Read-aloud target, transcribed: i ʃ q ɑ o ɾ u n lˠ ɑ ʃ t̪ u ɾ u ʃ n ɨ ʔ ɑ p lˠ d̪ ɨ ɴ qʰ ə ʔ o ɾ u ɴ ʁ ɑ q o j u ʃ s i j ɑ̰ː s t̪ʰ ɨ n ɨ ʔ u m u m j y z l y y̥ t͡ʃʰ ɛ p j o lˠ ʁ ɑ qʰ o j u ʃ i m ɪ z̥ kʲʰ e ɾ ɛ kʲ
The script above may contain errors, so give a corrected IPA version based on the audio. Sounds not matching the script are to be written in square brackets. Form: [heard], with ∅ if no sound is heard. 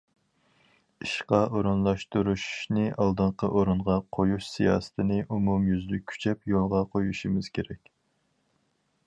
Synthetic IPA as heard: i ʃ q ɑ o ɾ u n lˠ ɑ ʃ t̪ u ɾ u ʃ n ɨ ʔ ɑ [∅] lˠ d̪ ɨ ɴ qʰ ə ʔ o ɾ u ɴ ʁ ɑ [qʰ] o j u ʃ s i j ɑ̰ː s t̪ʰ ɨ n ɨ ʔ u m u m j y z l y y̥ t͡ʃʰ ɛ p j o lˠ ʁ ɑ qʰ o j u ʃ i m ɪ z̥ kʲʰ e ɾ ɛ kʲ

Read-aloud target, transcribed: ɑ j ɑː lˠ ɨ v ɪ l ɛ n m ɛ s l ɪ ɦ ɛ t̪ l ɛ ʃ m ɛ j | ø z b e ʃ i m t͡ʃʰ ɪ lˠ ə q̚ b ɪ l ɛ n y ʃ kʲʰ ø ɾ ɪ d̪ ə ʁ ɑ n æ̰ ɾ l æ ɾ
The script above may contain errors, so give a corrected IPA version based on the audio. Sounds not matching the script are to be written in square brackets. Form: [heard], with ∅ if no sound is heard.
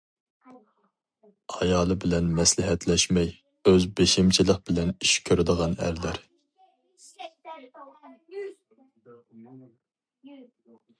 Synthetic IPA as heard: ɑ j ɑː lˠ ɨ [b] ɪ l ɛ n m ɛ s l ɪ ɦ ɛ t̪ l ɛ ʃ m ɛ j | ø z b e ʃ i m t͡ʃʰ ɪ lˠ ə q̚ b ɪ l ɛ n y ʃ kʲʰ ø ɾ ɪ d̪ ə ʁ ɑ n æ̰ ɾ l æ ɾ

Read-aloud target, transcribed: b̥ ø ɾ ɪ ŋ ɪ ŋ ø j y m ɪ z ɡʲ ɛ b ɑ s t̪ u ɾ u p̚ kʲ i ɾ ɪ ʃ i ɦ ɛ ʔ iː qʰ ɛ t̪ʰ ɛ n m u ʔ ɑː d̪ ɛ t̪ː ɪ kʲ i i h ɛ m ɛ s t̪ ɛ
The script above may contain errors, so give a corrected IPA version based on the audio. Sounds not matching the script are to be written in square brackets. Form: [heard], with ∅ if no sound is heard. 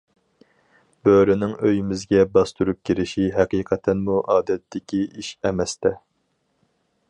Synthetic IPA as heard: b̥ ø ɾ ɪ [n] ɪ ŋ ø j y m ɪ z ɡʲ ɛ b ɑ s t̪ u ɾ u p̚ kʲ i ɾ ɪ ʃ i ɦ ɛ [q] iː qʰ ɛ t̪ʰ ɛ n m u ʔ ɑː d̪ ɛ t̪ː ɪ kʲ i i [ʃ] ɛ m ɛ s t̪ ɛ

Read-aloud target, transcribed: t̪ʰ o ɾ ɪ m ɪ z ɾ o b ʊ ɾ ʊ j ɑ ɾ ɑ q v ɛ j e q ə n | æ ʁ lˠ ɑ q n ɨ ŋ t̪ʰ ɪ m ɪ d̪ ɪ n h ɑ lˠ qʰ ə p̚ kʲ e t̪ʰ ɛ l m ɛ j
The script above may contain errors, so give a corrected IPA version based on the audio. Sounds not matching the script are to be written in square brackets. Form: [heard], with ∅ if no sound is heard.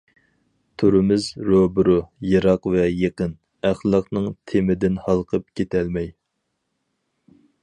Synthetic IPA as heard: t̪ʰ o ɾ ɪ m ɪ z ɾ o b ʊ ɾ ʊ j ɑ ɾ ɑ q v ɛ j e q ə n | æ [χ] lˠ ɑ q n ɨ ŋ t̪ʰ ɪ m ɪ d̪ ɪ n h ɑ lˠ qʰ ə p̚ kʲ e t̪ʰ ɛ l m ɛ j

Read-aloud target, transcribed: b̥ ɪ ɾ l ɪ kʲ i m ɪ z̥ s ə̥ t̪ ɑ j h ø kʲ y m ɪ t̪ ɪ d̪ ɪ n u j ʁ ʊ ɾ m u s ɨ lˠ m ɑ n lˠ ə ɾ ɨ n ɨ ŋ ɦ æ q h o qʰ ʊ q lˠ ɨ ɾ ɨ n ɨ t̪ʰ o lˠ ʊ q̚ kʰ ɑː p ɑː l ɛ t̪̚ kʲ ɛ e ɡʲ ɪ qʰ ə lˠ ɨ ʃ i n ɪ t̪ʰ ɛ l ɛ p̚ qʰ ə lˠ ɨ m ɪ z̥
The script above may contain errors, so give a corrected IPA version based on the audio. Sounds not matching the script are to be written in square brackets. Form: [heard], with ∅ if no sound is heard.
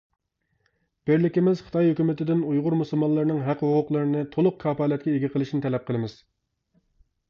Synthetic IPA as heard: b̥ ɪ ɾ l ɪ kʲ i m ɪ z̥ [χ] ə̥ t̪ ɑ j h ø kʲ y m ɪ t̪ ɪ d̪ ɪ n u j ʁ ʊ ɾ m u s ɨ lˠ m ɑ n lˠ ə ɾ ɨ n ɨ ŋ ɦ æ q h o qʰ ʊ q lˠ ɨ ɾ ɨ n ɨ t̪ʰ o lˠ ʊ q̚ kʰ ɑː p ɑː l ɛ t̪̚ kʲ ɛ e ɡʲ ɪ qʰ ə lˠ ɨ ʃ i n ɪ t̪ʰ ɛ l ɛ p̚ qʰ ə lˠ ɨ m ɪ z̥

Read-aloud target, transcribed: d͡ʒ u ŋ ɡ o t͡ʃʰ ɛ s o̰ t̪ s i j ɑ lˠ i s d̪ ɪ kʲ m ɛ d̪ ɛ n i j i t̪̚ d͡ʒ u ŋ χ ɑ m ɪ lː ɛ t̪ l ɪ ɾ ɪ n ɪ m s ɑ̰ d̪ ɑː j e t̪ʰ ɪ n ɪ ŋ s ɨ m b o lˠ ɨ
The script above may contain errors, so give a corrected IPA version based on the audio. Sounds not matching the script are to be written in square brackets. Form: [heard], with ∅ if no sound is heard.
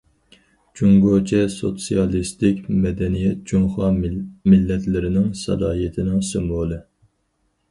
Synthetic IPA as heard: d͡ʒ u ŋ ɡ o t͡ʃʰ ɛ s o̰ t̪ s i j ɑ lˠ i s [t̪] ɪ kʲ m ɛ d̪ ɛ n i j [ɛ] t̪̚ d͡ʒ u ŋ χ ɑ m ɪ lː ɛ t̪ l ɪ ɾ ɪ n ɪ [ŋ] s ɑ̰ d̪ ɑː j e t̪ʰ ɪ n ɪ ŋ s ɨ m b o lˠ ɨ

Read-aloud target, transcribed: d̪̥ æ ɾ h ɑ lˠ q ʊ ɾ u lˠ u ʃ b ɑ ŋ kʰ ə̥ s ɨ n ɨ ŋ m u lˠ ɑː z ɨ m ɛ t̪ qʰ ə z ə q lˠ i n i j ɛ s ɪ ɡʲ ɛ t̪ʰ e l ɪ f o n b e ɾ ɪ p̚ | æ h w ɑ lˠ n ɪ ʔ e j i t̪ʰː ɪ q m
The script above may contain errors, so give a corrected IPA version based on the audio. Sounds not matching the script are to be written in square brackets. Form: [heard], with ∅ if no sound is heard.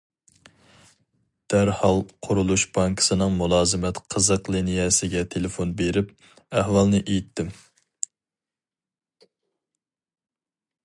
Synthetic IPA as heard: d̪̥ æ ɾ h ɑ lˠ [qʰ] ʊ ɾ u lˠ u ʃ b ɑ ŋ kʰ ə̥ s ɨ n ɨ ŋ m u lˠ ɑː z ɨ m ɛ t̪ qʰ ə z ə q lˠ i n i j ɛ s ɪ ɡʲ ɛ t̪ʰ e l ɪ f o n b e ɾ ɪ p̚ | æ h w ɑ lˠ n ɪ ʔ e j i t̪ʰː ɪ [∅] m

